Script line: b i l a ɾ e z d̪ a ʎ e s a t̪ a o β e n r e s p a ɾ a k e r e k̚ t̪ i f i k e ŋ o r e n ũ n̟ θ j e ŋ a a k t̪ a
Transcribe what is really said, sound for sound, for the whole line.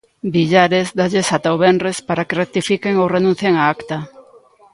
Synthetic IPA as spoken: b i ʎ a ɾ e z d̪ a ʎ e s a t̪ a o β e n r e s p a ɾ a k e r e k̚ t̪ i f i k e ŋ o r e n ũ n̟ θ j e ŋ a a k t̪ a